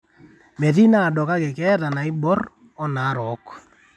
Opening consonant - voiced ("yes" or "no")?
yes